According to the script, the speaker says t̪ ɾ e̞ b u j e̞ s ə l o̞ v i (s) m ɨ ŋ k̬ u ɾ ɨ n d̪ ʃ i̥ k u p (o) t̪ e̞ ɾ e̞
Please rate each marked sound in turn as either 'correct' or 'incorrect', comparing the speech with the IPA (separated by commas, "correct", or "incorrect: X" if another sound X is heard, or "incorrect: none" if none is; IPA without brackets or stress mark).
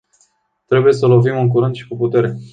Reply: incorrect: none, incorrect: u